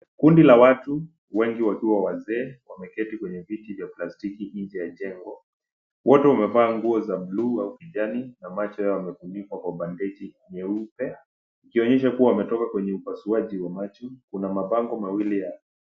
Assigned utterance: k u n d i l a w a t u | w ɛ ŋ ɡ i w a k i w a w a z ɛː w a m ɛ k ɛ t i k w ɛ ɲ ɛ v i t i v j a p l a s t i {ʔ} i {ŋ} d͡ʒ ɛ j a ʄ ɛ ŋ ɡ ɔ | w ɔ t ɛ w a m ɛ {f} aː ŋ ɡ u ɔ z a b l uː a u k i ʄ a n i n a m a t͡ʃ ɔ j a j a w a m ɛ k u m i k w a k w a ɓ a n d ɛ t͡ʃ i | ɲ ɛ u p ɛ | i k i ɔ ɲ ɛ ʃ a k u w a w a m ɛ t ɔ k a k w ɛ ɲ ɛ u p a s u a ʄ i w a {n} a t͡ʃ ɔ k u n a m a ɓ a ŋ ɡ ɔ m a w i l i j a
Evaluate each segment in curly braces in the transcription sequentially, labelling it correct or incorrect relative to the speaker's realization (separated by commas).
incorrect, incorrect, incorrect, incorrect